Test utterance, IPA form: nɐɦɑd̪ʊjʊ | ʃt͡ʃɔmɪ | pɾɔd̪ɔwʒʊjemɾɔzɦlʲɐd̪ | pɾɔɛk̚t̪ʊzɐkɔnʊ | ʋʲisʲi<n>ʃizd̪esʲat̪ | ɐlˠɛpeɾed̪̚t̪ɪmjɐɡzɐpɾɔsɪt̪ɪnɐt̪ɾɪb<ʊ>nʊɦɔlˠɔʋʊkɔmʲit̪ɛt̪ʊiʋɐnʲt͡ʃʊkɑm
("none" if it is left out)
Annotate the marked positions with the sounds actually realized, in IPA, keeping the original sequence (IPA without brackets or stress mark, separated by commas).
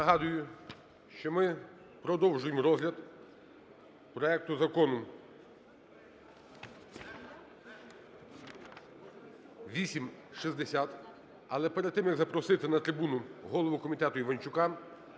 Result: m, u